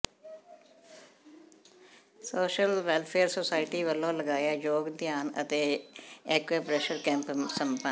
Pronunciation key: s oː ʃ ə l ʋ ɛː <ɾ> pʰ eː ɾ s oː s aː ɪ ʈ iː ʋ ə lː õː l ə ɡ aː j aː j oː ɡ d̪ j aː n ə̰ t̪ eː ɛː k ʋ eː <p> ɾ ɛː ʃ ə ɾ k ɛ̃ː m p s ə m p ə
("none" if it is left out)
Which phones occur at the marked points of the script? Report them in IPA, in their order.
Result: l, p

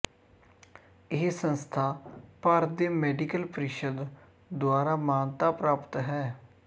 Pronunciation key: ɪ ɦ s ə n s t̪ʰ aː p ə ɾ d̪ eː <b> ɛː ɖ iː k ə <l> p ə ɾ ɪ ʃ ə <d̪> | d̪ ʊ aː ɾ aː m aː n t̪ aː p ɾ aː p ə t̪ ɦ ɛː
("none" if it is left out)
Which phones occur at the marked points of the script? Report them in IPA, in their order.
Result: m, l, d̪

